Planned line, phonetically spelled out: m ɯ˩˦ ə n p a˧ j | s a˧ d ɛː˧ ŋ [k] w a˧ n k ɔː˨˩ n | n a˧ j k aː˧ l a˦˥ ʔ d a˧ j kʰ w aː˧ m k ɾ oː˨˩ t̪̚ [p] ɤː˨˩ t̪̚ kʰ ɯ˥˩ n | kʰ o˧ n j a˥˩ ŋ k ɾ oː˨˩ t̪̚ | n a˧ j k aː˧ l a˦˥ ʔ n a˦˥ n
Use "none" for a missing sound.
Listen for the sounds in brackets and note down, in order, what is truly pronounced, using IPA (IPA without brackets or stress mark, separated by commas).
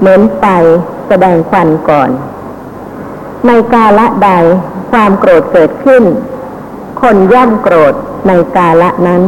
kʰ, k